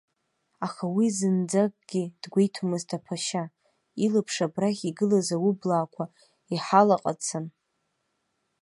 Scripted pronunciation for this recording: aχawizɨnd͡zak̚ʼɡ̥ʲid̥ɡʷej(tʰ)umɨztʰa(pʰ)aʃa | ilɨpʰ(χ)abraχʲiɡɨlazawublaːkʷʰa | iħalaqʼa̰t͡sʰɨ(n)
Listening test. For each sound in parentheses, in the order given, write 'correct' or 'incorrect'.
correct, correct, incorrect, correct

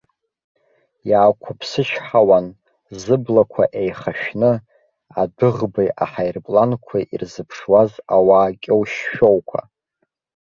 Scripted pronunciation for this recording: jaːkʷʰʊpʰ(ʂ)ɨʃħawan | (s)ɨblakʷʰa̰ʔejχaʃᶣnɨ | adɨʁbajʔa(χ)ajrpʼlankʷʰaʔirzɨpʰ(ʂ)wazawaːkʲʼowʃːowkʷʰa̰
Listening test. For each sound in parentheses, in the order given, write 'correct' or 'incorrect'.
incorrect, incorrect, incorrect, correct

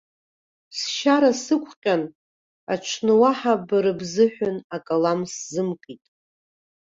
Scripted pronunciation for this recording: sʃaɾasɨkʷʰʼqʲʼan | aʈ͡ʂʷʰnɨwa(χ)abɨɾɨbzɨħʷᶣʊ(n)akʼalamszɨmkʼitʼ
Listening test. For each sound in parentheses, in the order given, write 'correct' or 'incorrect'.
incorrect, correct

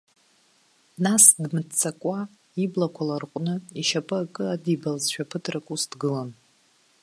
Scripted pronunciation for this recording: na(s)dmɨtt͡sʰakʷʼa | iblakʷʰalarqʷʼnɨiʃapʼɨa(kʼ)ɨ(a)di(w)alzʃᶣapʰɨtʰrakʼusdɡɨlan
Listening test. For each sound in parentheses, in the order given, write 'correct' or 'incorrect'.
correct, correct, correct, incorrect

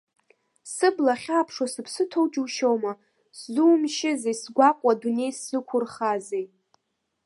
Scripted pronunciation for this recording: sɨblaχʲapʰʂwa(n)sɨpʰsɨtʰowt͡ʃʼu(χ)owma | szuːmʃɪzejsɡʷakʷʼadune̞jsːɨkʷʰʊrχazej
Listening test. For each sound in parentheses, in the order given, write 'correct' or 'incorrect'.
incorrect, incorrect

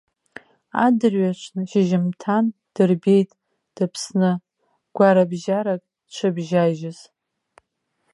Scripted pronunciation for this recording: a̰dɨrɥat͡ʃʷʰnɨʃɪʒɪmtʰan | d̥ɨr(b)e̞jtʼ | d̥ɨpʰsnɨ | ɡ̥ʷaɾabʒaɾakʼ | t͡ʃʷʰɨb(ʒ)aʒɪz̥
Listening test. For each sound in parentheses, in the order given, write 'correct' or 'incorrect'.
correct, correct

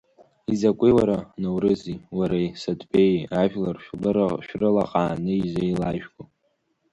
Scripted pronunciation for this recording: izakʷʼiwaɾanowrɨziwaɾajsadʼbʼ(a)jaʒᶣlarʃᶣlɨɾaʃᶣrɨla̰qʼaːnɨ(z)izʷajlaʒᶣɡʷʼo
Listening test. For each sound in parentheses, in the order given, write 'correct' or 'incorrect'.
incorrect, incorrect

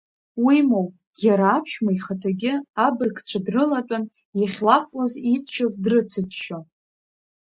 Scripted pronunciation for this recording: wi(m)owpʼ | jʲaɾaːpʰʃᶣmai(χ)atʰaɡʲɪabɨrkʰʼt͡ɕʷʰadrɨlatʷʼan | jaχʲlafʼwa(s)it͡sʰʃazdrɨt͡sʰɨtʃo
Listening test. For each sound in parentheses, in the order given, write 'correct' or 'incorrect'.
correct, correct, incorrect

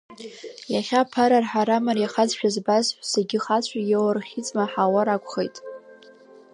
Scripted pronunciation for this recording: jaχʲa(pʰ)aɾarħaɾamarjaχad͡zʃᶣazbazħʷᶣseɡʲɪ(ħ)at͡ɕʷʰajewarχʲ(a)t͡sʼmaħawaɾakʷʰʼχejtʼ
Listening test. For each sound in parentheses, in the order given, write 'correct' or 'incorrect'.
correct, incorrect, incorrect

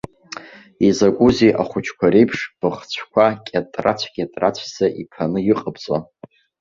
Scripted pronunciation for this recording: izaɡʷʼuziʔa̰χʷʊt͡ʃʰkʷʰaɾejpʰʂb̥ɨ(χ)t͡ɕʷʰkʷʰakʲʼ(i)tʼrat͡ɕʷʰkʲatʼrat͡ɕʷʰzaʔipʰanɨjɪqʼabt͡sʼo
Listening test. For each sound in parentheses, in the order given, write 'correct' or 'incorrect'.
correct, incorrect

